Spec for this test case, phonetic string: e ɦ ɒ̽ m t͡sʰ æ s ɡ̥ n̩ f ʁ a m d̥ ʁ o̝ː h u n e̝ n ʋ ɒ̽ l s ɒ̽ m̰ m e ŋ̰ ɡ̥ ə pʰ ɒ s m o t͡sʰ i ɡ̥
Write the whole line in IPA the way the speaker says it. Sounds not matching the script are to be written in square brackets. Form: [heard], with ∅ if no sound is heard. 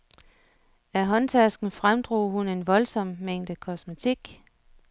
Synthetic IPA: [æ] ɦ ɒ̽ [n] t͡sʰ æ s ɡ̥ n̩ f ʁ a m d̥ ʁ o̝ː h u n e̝ n ʋ ɒ̽ l s ɒ̽ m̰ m e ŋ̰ [d̥] ə [kʰ] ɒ s m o t͡sʰ i ɡ̥

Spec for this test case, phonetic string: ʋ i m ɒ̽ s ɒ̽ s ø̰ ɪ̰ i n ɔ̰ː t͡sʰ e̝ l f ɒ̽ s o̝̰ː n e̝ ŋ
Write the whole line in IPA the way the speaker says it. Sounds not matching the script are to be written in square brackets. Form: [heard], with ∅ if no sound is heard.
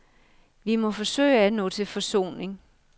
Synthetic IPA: ʋ i m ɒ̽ [f] ɒ̽ s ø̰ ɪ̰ [æ] n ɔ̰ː t͡sʰ e̝ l f ɒ̽ s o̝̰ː n e̝ ŋ

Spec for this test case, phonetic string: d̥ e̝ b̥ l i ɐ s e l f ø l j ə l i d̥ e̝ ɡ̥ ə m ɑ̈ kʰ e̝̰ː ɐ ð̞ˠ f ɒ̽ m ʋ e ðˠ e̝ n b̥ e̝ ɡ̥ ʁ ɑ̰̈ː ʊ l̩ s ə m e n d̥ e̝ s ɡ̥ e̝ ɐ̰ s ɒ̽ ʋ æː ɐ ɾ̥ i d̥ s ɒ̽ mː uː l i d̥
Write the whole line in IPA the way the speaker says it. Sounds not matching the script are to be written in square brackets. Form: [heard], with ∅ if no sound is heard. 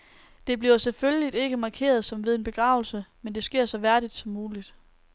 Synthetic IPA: d̥ e̝ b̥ l i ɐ s e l f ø l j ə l i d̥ e̝ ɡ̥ ə m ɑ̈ kʰ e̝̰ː ɐ ð̞ˠ [s] ɒ̽ m ʋ e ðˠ e̝ n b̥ e̝ ɡ̥ ʁ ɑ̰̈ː ʊ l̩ s ə m e n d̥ e̝ s ɡ̥ e̝ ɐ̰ s ɒ̽ ʋ [æ] ɐ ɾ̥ i d̥ s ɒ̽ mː uː l i d̥

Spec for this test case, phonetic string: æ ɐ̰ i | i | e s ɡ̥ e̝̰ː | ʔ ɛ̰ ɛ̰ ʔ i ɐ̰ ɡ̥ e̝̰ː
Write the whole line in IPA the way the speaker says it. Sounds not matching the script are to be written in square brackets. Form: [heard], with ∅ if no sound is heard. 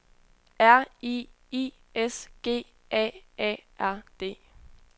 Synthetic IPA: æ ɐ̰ i | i | e s ɡ̥ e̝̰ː | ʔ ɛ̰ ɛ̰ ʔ [æ] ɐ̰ [d̥] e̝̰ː

